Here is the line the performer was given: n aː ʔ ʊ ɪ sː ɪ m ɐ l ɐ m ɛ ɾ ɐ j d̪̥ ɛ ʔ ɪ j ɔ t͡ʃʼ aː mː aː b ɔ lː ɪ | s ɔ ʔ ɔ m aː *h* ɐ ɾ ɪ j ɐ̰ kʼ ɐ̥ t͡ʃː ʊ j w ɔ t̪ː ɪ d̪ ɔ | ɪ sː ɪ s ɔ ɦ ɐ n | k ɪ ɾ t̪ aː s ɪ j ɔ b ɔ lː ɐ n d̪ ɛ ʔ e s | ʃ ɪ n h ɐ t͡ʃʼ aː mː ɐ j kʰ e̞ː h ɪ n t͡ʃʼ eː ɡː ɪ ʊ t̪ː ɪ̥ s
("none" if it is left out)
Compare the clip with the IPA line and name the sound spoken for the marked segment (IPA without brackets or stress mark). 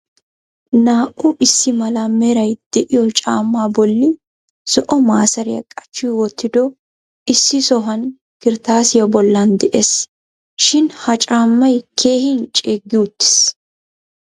s